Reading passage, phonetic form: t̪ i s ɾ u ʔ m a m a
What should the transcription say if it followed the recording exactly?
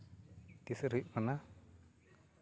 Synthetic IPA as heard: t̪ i s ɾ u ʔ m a n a